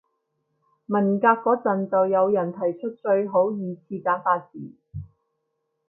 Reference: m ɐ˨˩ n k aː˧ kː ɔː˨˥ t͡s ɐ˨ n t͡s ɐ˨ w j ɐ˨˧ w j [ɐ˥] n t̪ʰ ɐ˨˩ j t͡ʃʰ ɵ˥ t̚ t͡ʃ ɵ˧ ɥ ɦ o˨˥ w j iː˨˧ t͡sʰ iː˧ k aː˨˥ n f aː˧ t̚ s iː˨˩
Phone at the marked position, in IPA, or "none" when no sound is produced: ɐ˨˩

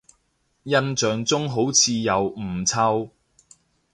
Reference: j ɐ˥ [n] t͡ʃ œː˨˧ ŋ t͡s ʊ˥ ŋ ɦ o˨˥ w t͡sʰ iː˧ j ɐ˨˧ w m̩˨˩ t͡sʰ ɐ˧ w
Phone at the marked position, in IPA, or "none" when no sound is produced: n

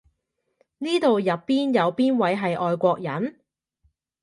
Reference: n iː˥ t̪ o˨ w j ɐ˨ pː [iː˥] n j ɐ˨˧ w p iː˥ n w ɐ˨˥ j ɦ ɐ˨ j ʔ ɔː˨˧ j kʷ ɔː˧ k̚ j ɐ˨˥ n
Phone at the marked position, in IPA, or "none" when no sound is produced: iː˥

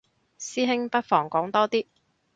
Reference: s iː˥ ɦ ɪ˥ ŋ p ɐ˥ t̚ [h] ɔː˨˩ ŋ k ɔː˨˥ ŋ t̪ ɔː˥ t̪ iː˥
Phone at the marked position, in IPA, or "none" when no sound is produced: f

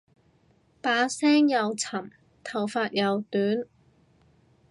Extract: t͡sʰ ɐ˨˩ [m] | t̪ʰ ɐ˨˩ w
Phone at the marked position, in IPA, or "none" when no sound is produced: m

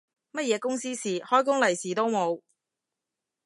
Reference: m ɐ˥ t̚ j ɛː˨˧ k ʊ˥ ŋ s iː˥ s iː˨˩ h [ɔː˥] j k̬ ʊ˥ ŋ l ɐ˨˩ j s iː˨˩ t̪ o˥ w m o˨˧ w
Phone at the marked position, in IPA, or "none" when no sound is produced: ɔː˥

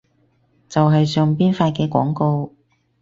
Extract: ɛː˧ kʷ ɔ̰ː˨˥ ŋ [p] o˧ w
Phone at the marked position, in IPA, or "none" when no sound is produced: k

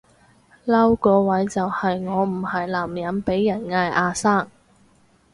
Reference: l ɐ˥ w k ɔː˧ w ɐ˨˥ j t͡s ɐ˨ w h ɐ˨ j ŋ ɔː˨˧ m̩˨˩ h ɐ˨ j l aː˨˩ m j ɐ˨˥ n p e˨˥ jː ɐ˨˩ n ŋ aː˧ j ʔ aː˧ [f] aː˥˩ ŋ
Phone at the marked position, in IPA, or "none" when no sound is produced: s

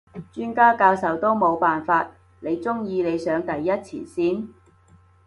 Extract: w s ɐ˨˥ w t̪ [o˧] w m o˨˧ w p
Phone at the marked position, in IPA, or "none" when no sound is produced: o˥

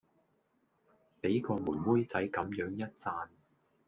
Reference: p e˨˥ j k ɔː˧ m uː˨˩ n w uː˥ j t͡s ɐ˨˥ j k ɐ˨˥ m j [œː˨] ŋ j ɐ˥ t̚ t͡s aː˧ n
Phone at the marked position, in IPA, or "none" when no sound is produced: œː˨˥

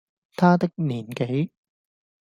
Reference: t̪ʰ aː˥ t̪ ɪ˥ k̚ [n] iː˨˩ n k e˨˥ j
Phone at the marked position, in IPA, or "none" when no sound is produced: n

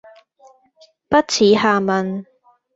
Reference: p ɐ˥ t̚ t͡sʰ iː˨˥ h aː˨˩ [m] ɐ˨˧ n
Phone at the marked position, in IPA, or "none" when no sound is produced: m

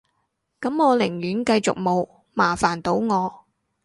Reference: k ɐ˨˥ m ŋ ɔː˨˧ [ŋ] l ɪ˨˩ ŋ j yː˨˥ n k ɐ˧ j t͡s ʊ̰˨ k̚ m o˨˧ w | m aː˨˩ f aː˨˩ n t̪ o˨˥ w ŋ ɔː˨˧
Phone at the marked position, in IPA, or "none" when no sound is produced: none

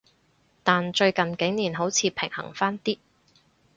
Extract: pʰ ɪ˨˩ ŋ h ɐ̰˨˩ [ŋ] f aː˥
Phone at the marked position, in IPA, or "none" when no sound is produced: ŋ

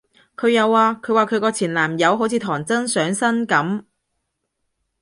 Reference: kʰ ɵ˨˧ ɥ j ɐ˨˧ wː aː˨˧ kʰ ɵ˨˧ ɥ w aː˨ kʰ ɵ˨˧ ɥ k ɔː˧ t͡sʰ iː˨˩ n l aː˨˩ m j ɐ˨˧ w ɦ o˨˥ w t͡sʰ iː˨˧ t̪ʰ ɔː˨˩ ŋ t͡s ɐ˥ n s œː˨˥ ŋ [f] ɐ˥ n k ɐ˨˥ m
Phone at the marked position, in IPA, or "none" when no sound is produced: s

